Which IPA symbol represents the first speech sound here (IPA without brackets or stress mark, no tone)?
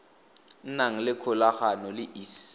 n